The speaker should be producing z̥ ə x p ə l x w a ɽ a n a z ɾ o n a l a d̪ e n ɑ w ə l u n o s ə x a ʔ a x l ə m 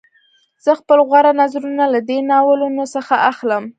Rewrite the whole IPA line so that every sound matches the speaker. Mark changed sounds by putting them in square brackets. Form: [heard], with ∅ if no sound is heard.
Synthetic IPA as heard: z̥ ə x p ə l [ɣ] w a [ɾ] a n a z ɾ [u] n a l a d̪ e n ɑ w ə l u n o s ə x a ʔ a x l ə m